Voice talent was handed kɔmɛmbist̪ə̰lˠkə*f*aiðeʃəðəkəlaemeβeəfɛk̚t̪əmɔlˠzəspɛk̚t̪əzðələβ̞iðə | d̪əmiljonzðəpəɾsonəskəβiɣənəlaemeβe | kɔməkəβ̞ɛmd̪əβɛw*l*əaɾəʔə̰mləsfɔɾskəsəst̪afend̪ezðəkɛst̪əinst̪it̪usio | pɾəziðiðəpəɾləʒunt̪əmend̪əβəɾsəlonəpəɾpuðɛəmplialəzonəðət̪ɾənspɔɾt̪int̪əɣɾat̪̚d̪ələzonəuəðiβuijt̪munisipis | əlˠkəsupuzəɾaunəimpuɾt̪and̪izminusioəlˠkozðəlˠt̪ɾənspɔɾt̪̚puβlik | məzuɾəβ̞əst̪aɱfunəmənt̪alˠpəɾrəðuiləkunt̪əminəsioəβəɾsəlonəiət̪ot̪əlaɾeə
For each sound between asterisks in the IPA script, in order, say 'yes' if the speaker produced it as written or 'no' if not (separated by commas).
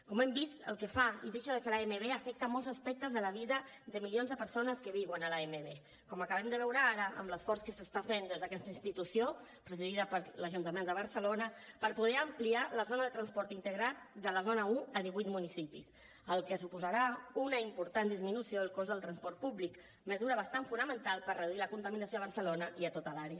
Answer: yes, no